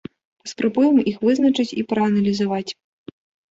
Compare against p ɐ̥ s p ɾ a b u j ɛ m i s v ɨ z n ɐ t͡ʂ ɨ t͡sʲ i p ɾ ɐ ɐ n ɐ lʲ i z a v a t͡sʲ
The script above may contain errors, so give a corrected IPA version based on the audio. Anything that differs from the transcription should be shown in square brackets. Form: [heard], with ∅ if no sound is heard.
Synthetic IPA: p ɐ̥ s p ɾ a b u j ɛ m i [x] v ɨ z n ɐ t͡ʂ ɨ t͡sʲ i p ɾ ɐ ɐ n ɐ lʲ i z a v a t͡sʲ